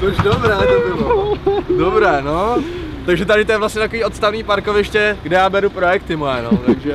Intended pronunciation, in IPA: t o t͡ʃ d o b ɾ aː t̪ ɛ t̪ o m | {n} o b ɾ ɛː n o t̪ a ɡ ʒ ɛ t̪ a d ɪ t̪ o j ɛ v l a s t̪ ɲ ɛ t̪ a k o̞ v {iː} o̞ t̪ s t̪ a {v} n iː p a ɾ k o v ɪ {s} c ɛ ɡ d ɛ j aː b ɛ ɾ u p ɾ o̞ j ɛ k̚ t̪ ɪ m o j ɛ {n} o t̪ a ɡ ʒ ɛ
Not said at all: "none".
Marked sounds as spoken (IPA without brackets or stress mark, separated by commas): d, iː, v, ʃ, n